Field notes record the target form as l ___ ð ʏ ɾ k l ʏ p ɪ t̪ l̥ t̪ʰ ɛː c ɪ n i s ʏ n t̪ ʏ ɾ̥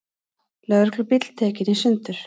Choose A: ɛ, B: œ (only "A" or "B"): B